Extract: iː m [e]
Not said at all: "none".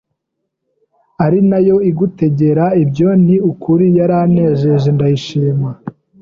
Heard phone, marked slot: a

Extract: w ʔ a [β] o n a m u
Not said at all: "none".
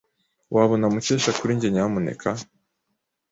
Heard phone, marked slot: β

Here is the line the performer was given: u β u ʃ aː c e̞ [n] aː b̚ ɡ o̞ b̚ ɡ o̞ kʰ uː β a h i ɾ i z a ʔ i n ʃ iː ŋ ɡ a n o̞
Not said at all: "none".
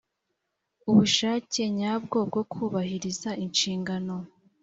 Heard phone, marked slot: ɲ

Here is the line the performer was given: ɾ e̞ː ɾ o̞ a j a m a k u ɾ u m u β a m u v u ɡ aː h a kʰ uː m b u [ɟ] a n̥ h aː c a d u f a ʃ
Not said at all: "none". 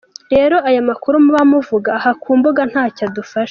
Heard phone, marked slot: ɡ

